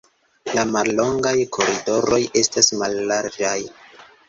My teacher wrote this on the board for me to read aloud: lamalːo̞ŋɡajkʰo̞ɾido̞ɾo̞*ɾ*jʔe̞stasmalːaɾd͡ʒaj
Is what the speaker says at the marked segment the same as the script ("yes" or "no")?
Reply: no